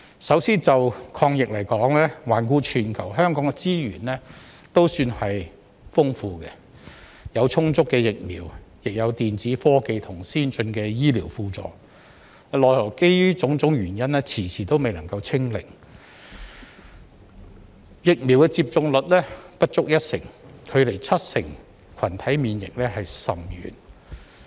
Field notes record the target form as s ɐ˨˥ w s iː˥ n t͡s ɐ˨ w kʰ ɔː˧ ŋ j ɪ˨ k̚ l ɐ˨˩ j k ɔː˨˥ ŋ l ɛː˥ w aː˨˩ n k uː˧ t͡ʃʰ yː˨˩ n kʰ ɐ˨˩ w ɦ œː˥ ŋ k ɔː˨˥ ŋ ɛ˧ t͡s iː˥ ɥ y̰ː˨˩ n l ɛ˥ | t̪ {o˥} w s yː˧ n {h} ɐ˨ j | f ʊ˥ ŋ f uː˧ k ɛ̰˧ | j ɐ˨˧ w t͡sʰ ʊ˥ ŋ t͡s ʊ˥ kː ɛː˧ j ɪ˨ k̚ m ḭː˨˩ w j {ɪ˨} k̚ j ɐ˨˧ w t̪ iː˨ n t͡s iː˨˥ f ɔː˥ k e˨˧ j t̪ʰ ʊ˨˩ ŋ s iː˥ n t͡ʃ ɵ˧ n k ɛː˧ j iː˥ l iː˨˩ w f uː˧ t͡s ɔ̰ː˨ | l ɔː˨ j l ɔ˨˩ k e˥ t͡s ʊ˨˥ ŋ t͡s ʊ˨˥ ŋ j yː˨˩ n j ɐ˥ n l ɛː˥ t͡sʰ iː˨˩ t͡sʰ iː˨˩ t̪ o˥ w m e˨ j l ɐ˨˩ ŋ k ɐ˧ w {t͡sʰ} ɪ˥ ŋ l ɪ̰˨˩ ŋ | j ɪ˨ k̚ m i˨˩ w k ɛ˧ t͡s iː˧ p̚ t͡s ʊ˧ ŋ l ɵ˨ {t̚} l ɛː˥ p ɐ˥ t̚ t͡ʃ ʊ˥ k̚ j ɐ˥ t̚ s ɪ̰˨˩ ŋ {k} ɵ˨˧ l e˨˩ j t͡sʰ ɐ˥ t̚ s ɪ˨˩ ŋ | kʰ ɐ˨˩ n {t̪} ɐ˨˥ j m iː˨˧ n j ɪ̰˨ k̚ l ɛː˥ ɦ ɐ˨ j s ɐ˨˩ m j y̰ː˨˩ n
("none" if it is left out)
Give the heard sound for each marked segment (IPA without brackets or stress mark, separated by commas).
o˥, h, ɪ˨, t͡sʰ, t̚, kʰ, t̪ʰ